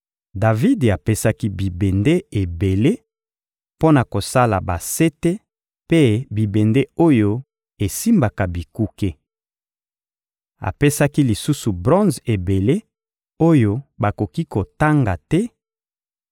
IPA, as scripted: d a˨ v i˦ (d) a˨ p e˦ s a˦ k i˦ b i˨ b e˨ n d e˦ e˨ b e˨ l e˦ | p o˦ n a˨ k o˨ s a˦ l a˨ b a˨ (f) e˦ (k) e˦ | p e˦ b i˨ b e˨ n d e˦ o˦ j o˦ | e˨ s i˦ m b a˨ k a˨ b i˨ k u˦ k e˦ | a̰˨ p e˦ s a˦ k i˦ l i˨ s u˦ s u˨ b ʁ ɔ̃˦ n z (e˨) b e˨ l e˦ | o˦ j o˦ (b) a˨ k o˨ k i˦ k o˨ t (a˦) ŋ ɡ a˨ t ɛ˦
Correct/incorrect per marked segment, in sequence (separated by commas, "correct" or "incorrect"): correct, incorrect, incorrect, correct, correct, correct